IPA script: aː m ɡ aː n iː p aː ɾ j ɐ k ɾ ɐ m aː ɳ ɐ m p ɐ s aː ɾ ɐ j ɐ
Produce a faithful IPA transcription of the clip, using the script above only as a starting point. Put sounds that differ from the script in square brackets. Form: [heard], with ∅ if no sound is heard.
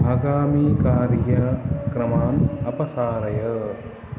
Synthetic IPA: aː [∅] ɡ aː [m] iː [k] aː ɾ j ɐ k ɾ ɐ m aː [n] ɐ [∅] p ɐ s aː ɾ ɐ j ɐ